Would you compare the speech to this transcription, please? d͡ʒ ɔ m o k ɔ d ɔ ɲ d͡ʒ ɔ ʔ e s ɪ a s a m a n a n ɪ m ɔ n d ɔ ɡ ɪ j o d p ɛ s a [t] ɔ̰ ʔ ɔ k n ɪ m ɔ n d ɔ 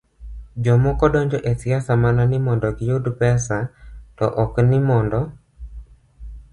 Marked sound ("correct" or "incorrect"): correct